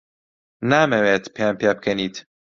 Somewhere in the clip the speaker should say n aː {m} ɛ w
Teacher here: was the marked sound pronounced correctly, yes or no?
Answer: yes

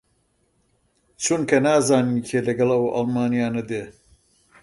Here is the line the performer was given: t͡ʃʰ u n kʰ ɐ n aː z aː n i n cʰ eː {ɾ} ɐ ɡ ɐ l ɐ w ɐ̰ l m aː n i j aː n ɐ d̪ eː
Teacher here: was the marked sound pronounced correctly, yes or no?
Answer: no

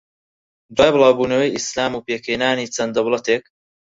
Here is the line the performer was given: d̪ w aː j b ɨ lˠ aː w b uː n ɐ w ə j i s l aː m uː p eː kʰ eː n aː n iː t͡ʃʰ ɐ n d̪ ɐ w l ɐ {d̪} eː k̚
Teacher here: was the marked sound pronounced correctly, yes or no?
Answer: no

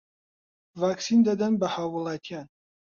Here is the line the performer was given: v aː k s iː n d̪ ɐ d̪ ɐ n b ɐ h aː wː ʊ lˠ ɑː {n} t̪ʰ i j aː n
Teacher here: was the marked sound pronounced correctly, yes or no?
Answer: no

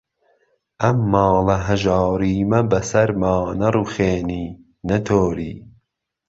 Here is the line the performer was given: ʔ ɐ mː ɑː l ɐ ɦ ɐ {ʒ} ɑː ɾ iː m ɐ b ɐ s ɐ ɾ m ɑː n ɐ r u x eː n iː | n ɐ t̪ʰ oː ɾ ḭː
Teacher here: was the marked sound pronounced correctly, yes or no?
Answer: yes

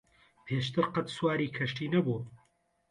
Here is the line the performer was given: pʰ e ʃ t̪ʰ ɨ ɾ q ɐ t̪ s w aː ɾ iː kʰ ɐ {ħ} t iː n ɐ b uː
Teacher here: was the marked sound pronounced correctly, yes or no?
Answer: no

